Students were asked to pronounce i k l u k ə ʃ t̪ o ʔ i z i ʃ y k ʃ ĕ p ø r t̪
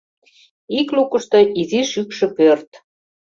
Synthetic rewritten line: i k l u k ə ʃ t̪ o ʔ i z i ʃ y k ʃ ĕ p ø r t̪